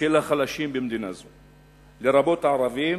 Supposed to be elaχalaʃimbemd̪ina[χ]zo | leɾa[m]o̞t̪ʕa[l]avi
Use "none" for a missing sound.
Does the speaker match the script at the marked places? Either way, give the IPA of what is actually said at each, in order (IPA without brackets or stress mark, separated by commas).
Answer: none, b, ɾ